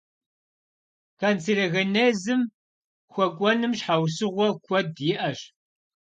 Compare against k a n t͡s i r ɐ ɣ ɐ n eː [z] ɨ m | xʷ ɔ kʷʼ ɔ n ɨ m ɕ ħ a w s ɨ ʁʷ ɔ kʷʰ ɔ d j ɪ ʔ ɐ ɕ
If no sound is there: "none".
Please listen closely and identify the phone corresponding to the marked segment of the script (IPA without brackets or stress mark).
z